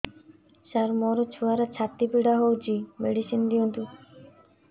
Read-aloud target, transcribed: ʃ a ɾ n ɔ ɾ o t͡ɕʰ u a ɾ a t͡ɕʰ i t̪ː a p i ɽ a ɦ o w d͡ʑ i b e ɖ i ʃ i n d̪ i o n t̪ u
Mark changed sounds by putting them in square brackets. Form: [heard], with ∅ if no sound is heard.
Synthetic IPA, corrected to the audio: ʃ a ɾ [m] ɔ ɾ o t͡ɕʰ u a ɾ a t͡ɕʰ [a] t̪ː [i] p i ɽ a ɦ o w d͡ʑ i [m] e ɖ i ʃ i n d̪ i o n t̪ u